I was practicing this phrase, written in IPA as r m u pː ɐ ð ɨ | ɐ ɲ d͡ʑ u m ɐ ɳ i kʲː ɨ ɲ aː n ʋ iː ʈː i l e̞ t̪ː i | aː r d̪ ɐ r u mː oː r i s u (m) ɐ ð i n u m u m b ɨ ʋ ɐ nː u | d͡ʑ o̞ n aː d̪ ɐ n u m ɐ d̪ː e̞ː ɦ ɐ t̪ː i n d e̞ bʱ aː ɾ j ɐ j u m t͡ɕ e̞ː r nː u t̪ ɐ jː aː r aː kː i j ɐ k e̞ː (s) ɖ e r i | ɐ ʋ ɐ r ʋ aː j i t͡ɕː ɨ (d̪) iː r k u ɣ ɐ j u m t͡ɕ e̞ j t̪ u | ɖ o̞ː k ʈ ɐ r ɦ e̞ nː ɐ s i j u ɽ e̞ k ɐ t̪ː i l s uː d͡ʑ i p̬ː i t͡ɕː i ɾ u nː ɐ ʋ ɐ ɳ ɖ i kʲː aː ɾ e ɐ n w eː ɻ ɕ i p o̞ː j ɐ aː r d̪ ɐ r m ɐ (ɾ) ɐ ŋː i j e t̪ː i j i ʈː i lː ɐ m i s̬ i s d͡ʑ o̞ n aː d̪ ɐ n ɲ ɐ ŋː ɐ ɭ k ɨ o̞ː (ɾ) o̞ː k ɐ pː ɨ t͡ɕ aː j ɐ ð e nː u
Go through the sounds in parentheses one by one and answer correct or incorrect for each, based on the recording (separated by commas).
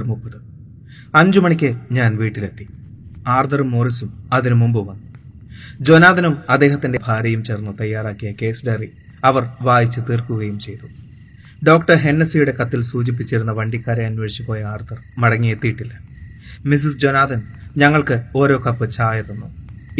correct, correct, incorrect, incorrect, correct